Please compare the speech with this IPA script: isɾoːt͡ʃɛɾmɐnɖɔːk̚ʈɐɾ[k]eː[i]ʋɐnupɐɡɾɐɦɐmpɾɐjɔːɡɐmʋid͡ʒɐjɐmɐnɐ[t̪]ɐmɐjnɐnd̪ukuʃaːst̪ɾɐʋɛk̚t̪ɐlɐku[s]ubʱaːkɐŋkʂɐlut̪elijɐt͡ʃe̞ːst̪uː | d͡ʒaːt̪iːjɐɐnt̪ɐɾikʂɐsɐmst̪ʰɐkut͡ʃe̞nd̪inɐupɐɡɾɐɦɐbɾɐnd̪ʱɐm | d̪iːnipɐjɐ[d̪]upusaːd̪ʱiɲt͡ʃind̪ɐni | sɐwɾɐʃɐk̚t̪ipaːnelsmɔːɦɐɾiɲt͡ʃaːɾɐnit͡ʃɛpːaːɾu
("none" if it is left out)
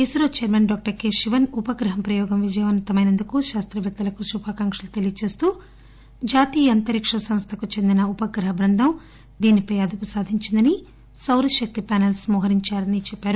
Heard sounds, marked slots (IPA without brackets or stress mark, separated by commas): k, i, t̪, ʃ, d̪